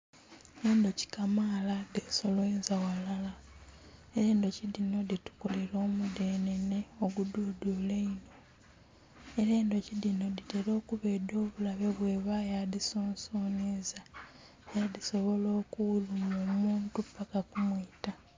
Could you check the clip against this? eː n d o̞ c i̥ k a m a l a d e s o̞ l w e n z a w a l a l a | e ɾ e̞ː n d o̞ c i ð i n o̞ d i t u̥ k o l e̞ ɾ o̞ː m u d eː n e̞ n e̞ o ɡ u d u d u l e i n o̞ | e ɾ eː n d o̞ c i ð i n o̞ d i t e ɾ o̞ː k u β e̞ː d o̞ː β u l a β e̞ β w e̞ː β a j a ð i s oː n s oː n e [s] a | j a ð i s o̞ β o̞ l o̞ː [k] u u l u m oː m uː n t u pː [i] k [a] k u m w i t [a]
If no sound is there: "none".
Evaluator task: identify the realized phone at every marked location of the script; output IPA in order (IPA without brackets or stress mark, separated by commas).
z, k, a, a, a